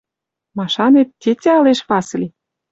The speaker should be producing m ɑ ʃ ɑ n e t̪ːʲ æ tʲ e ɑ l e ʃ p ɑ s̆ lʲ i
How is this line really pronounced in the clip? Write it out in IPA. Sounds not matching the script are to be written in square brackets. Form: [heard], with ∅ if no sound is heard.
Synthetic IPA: m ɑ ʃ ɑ n e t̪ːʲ [e] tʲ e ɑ l e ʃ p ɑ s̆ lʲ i